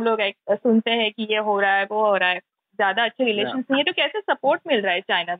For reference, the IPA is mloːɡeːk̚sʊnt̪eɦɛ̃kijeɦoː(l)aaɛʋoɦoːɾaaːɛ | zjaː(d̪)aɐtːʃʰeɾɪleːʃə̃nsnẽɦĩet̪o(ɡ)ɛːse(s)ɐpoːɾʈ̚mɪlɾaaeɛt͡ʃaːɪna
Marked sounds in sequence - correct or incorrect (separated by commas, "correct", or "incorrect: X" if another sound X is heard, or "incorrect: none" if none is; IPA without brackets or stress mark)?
incorrect: ɾ, correct, incorrect: k, correct